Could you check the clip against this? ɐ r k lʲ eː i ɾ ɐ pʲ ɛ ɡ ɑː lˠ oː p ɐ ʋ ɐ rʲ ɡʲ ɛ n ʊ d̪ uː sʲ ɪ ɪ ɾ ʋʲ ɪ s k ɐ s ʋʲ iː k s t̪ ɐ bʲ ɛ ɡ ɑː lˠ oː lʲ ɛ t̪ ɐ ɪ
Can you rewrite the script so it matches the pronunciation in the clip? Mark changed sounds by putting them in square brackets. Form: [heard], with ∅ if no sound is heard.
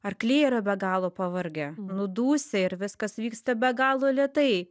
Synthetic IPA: ɐ r k lʲ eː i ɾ ɐ [bʲ] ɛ ɡ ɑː lˠ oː p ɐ ʋ ɐ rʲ ɡʲ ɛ n ʊ d̪ uː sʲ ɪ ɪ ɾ ʋʲ ɪ s k ɐ s ʋʲ iː k s t̪ ɐ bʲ ɛ ɡ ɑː lˠ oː lʲ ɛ t̪ ɐ ɪ